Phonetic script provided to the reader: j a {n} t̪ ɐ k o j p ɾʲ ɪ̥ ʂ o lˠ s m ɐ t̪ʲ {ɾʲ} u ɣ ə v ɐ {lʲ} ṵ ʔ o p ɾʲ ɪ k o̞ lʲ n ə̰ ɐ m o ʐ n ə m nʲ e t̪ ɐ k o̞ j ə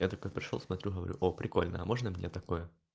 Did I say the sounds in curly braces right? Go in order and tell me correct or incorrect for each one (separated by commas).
incorrect, correct, incorrect